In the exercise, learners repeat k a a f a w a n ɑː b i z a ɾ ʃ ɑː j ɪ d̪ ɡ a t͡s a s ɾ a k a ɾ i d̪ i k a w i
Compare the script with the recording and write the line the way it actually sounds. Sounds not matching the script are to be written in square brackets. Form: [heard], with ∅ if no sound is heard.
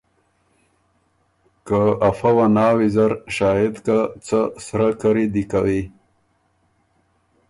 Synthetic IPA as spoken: k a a f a w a n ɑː [w] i z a ɾ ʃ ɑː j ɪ d̪ [k] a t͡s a s ɾ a k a ɾ i d̪ i k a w i